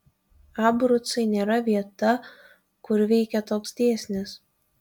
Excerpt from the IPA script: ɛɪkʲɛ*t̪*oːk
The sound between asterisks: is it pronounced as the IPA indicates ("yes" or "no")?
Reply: yes